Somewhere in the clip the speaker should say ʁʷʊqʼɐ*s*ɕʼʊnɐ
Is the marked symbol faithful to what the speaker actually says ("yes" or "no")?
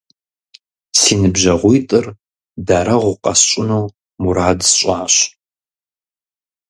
yes